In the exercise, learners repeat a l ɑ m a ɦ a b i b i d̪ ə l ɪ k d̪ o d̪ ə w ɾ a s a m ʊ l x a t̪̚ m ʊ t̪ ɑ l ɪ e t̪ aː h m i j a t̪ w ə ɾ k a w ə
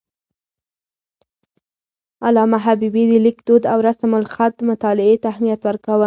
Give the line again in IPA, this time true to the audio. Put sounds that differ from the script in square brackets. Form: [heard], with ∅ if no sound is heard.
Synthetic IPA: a l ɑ m a ɦ a b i b i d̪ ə l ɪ k d̪ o d̪ [a] w ɾ a s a m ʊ l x a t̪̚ m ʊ t̪ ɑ l ɪ e t̪ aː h m i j a t̪ w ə ɾ k a w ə